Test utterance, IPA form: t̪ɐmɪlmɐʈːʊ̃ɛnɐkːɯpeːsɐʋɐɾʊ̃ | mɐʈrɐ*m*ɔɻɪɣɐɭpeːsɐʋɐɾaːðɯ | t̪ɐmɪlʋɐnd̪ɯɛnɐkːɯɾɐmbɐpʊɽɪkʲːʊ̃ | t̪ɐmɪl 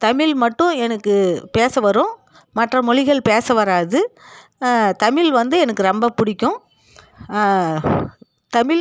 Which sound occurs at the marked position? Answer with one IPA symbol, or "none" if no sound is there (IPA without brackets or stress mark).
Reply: m